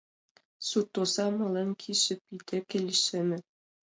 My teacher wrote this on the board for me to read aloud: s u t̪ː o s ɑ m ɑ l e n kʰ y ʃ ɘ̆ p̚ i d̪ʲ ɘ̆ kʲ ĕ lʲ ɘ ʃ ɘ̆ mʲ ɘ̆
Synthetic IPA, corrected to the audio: s u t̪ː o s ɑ m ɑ l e n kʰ i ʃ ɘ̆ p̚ i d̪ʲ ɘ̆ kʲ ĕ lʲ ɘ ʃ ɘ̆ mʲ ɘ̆